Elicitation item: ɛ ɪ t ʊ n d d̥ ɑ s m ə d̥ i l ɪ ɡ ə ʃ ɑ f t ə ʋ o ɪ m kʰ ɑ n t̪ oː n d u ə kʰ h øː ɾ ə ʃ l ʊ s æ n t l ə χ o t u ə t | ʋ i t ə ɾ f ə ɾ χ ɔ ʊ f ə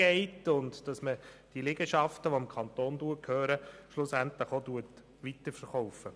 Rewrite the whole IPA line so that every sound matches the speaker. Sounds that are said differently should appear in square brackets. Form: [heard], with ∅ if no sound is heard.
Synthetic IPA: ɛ ɪ t ʊ n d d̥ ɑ s m ə d̥ i l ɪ ɡ ə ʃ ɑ f t ə ʋ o ɪ m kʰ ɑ n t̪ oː n d u ə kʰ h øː ɾ ə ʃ l ʊ s æ n t l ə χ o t u ə t | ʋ i t ə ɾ f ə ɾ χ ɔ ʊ f ə